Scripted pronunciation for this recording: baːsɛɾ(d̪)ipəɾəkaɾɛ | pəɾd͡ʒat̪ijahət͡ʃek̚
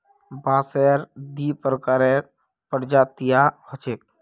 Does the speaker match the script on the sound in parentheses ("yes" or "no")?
yes